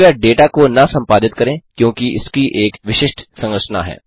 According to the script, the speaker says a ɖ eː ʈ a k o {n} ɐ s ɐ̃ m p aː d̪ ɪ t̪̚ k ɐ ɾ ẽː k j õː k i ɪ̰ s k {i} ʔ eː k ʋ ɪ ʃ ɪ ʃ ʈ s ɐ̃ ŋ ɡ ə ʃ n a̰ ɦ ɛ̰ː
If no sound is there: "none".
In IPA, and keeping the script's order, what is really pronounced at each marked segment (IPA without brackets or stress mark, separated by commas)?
n, i